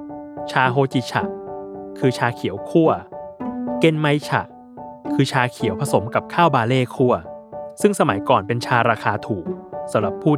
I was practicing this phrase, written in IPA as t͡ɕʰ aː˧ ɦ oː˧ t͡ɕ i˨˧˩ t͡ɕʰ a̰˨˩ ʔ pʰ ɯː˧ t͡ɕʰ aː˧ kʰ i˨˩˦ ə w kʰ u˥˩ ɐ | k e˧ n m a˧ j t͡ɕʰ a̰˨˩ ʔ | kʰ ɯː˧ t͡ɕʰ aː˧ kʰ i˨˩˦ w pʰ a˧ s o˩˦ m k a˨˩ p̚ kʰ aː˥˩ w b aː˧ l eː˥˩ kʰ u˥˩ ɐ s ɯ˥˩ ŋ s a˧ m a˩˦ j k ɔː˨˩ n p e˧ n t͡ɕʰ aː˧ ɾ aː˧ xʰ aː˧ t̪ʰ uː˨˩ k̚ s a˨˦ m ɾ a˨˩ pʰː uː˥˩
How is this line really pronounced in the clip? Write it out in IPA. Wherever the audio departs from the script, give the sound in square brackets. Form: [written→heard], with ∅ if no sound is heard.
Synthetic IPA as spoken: t͡ɕʰ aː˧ ɦ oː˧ t͡ɕ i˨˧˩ t͡ɕʰ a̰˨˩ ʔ [pʰ→kʰ] ɯː˧ t͡ɕʰ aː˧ kʰ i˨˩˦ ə w kʰ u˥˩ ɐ | k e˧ n m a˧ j t͡ɕʰ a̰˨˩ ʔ | kʰ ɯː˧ t͡ɕʰ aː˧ kʰ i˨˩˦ w pʰ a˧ s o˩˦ m k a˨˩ p̚ kʰ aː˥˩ w b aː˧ l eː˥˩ kʰ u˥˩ ɐ s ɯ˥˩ ŋ s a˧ m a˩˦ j k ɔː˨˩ n p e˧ n t͡ɕʰ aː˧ ɾ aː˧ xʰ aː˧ t̪ʰ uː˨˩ k̚ s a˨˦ m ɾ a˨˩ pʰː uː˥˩